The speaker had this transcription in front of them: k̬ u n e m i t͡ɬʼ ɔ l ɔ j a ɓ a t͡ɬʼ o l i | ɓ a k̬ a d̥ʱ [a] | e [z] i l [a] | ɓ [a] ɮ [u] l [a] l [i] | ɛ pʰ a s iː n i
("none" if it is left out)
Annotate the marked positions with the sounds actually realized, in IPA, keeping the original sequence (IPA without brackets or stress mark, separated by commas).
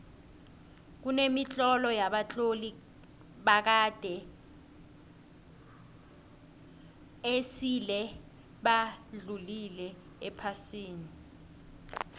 ɛ, s, ɛ, a, u, i, ɛ